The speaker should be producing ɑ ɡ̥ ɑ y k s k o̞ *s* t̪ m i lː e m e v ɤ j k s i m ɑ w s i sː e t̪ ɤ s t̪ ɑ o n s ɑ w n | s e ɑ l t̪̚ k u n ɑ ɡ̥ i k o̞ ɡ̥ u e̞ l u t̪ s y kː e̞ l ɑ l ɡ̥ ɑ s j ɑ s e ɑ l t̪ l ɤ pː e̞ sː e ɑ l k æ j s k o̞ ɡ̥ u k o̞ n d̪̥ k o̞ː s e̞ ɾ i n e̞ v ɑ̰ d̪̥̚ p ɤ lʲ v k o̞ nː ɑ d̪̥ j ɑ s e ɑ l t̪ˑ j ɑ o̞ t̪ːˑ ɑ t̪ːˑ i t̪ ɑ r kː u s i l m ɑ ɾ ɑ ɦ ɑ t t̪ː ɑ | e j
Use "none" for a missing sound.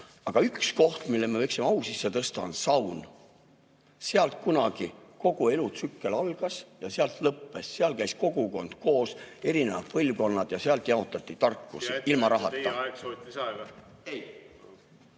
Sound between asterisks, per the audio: h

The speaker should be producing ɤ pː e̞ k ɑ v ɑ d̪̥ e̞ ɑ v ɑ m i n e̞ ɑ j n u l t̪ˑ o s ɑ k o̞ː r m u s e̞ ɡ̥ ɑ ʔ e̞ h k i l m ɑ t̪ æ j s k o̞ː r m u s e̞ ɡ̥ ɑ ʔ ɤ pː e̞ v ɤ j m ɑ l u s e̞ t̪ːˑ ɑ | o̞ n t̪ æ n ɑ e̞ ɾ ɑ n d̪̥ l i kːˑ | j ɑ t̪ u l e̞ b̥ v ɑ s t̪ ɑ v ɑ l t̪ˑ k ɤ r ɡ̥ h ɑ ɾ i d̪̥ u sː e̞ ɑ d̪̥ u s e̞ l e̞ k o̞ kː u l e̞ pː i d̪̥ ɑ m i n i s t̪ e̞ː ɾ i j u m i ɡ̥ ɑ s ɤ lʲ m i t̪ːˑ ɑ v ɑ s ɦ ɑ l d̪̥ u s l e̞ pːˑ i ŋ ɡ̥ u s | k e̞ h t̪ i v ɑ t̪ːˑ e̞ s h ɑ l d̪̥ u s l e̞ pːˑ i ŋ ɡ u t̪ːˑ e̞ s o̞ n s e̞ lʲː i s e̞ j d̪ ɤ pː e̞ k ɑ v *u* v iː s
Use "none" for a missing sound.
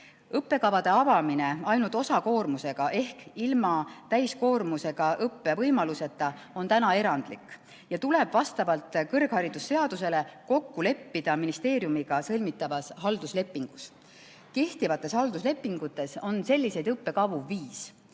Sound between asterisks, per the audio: u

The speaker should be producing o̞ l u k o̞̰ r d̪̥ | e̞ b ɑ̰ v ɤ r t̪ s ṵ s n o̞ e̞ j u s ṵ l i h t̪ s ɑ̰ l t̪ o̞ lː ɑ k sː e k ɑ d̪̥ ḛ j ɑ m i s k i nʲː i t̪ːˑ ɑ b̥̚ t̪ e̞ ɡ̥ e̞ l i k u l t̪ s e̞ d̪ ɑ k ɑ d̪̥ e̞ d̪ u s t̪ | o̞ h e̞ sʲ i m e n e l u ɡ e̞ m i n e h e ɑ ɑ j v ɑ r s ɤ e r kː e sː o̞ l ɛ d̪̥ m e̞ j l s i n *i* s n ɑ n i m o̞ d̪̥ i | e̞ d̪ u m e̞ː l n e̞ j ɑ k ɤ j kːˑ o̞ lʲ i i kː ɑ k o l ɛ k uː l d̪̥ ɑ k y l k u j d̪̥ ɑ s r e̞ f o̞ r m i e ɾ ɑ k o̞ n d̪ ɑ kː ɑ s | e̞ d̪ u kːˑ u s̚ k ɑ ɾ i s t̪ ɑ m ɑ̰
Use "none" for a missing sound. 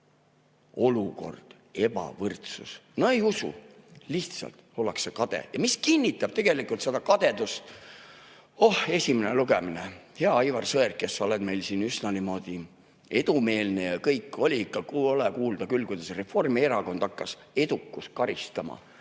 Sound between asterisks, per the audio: y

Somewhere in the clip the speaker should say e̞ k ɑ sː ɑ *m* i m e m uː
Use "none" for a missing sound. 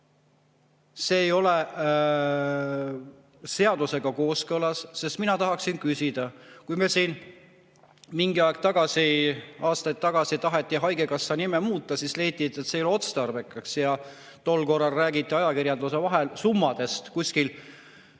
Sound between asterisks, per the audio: n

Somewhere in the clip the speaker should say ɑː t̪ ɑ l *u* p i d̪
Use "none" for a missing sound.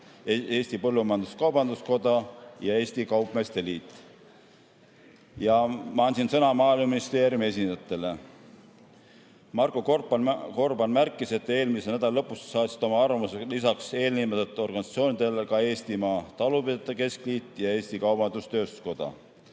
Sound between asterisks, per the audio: u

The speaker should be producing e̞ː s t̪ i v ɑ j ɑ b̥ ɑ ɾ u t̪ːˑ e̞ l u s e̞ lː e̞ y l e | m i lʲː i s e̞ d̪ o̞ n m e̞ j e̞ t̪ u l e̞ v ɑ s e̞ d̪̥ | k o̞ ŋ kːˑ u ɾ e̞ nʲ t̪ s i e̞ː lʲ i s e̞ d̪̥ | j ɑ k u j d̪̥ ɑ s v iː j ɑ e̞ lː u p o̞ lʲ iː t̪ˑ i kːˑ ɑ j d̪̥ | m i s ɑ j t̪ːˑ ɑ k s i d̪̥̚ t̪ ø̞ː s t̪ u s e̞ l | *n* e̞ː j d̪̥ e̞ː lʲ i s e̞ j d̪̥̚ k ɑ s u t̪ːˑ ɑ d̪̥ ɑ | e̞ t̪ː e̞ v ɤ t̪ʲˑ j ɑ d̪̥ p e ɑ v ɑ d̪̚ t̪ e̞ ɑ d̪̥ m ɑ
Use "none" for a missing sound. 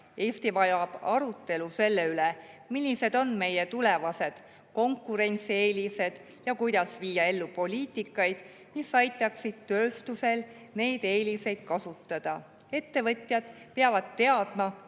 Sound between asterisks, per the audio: n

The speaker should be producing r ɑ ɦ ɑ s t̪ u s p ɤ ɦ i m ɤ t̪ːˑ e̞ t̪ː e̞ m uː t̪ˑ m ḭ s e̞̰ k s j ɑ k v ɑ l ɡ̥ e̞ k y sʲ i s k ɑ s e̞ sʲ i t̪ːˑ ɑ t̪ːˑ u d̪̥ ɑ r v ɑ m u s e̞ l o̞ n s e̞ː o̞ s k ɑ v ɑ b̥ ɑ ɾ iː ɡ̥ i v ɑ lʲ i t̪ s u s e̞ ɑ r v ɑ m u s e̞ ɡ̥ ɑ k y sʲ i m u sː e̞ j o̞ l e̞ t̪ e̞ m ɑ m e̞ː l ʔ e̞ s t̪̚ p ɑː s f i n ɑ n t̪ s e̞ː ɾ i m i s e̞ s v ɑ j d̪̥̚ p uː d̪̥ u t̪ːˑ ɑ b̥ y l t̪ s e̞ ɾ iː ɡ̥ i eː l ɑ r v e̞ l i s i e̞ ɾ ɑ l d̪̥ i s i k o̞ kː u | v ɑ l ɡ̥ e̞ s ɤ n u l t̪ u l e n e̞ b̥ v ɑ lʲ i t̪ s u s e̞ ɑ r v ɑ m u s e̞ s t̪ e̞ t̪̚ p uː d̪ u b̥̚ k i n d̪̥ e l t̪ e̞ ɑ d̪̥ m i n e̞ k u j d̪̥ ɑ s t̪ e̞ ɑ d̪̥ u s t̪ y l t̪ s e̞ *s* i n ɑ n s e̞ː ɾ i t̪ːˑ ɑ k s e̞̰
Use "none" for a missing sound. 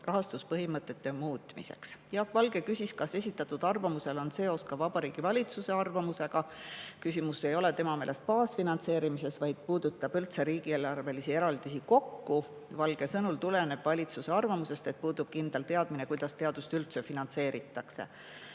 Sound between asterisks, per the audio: f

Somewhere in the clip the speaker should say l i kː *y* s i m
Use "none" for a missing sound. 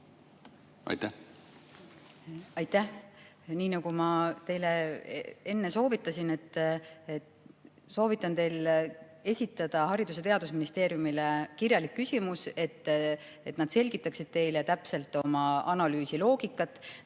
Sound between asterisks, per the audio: y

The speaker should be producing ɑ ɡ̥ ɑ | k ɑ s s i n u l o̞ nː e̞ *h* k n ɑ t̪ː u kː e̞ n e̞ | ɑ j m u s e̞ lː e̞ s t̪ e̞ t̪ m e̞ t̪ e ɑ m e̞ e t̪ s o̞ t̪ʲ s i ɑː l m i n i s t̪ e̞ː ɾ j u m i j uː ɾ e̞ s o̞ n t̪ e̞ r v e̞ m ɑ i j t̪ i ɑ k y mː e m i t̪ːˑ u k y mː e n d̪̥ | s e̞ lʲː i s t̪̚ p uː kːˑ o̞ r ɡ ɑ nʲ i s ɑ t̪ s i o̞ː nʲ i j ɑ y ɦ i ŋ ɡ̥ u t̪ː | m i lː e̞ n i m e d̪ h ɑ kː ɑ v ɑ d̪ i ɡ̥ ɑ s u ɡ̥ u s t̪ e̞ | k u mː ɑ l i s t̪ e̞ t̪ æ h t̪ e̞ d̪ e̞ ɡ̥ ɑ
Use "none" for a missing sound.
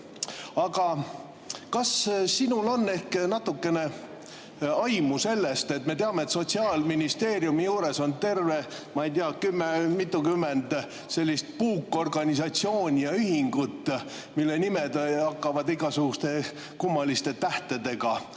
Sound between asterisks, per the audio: h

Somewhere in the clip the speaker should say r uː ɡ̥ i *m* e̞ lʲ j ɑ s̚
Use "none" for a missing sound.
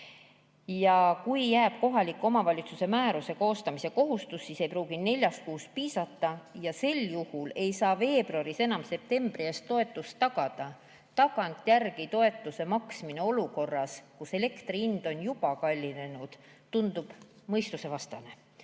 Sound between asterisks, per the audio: n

